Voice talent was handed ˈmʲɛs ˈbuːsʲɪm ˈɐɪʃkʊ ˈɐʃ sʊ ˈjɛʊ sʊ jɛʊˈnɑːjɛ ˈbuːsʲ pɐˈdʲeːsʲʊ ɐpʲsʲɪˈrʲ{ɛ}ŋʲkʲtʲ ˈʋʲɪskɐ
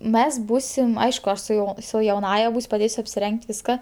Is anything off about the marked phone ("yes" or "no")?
no